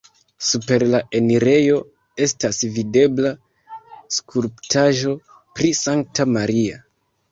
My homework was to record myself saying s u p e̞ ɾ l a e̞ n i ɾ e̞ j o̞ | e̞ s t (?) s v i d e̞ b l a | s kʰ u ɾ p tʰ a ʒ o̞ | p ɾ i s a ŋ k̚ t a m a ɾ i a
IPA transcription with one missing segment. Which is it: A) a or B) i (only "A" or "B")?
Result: A